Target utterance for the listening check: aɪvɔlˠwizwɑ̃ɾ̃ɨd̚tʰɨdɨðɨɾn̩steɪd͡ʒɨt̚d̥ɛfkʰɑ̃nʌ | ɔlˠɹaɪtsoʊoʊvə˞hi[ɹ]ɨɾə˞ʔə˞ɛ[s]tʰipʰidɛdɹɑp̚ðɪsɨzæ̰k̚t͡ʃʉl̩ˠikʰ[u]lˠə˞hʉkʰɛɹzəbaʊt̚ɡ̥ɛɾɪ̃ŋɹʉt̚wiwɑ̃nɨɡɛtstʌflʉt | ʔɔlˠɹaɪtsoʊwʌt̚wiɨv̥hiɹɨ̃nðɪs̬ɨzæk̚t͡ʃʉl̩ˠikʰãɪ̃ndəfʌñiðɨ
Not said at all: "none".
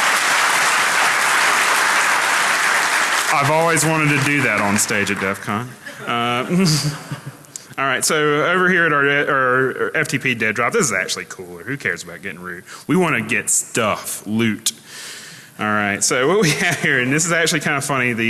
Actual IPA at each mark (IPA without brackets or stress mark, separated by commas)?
ɹ, f, u